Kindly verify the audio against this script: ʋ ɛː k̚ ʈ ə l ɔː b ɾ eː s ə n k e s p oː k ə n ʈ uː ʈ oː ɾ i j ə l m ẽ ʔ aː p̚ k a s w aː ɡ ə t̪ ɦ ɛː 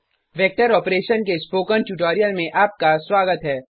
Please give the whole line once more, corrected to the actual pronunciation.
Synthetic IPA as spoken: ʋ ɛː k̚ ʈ ə ɾ ɔː p ɾ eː ʃ ə n k e s p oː k ə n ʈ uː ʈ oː ɾ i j ə l m ẽ ʔ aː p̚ k a s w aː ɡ ə t̪ ɦ ɛː